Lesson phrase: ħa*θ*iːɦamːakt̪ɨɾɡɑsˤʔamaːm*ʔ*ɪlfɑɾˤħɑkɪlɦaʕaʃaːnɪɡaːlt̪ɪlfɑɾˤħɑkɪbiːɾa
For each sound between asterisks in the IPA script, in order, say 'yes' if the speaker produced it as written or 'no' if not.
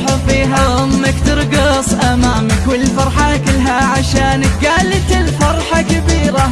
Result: no, no

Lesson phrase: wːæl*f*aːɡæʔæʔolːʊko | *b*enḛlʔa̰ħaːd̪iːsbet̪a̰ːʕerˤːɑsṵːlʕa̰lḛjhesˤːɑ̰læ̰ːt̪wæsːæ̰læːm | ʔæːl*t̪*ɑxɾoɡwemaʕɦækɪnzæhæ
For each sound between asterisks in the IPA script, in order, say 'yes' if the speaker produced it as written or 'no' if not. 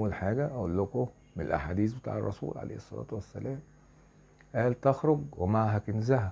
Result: no, no, yes

